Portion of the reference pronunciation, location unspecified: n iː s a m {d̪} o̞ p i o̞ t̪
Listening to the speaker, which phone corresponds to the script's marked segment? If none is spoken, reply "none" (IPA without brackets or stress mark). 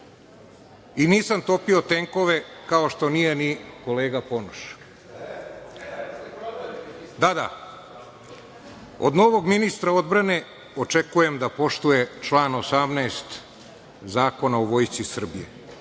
t̪